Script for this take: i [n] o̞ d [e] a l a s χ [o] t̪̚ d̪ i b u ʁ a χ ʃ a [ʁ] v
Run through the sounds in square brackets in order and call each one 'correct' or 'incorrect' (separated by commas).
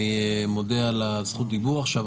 incorrect, correct, incorrect, incorrect